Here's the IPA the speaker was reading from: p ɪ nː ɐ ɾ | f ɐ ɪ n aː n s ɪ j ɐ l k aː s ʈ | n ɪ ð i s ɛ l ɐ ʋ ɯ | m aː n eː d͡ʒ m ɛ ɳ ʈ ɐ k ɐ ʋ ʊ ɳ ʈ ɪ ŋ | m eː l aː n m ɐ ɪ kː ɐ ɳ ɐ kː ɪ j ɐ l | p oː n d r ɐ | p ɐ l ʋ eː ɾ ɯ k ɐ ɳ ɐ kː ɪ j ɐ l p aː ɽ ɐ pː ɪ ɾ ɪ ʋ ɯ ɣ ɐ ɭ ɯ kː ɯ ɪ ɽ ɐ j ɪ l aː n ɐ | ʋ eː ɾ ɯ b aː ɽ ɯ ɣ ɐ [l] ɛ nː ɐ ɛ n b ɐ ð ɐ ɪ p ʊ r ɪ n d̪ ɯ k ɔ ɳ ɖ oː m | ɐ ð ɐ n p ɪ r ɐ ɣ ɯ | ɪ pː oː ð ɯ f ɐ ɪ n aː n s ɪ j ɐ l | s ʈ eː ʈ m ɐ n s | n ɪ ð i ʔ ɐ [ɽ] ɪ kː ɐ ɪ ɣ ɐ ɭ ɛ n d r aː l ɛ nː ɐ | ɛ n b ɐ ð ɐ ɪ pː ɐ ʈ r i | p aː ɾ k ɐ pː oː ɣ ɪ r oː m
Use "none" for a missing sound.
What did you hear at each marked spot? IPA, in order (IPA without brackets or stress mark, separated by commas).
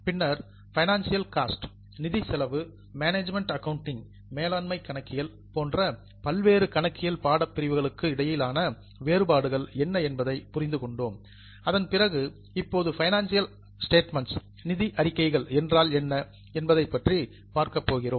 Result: ɭ, ɾ